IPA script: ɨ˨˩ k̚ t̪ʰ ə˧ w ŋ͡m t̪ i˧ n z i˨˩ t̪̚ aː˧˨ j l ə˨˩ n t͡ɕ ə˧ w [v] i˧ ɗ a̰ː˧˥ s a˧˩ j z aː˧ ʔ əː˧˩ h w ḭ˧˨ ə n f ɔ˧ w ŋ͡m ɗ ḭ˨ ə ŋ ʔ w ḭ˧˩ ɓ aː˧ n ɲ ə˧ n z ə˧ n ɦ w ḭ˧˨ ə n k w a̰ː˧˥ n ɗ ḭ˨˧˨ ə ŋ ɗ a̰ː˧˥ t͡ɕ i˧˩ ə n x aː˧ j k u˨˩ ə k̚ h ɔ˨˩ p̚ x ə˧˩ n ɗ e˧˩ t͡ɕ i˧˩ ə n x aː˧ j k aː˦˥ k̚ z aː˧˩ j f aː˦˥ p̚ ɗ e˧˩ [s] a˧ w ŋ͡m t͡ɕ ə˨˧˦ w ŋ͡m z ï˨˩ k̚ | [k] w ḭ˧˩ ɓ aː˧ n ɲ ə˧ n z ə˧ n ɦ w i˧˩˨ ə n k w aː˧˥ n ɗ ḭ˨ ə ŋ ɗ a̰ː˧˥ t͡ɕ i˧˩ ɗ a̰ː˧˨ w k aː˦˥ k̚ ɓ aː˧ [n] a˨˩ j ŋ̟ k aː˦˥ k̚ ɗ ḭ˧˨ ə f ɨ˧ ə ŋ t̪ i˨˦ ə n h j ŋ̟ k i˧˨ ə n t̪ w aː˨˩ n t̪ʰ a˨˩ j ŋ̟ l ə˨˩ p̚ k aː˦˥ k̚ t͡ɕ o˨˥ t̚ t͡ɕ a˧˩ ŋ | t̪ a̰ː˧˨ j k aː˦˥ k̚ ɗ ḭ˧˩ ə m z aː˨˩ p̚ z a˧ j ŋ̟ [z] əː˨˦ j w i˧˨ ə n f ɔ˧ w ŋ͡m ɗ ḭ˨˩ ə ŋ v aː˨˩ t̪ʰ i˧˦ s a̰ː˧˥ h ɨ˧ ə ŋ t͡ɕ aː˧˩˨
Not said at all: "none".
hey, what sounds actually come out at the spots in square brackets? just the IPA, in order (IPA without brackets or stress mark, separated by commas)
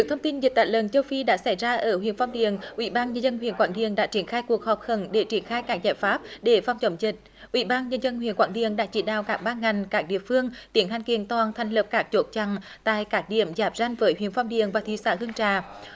f, f, ʔ, ŋ, v